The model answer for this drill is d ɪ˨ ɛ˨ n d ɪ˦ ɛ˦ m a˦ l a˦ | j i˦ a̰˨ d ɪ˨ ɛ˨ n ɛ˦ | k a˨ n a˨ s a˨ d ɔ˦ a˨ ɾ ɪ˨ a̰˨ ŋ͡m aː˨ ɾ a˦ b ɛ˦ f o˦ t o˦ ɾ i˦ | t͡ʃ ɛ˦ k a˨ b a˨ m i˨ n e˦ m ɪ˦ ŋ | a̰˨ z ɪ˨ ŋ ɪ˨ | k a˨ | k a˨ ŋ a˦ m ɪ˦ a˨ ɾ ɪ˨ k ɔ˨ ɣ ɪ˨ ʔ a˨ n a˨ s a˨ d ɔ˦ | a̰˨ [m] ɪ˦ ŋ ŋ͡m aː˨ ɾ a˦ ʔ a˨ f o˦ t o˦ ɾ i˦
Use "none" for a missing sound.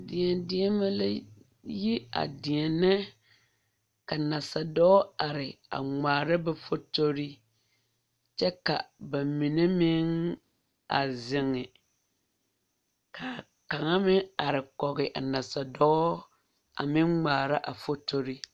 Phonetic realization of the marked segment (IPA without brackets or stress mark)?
m